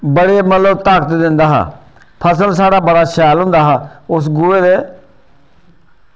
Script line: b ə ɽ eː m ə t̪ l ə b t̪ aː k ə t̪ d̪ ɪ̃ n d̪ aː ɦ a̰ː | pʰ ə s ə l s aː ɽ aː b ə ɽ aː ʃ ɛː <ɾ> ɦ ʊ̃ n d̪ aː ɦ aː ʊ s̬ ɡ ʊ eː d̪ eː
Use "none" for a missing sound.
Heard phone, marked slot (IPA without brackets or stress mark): l